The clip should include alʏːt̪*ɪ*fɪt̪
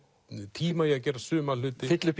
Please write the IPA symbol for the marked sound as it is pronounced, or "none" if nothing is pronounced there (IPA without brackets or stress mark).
ɪ